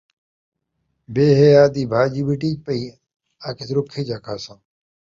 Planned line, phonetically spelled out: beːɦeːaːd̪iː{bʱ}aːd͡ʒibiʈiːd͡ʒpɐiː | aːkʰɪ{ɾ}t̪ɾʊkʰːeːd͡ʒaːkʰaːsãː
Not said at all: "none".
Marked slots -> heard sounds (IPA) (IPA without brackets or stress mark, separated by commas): bʱ, none